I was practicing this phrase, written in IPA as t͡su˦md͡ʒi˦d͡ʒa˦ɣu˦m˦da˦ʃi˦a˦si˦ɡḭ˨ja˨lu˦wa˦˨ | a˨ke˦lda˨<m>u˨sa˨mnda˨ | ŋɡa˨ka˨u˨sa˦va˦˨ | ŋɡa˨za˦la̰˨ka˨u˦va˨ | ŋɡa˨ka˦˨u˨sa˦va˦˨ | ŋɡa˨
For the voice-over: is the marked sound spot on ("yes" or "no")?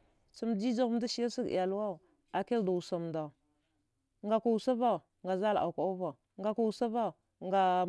no